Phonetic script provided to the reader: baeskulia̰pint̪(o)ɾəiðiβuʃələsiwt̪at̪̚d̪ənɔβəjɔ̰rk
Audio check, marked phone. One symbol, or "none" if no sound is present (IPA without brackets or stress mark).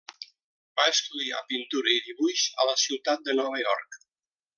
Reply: u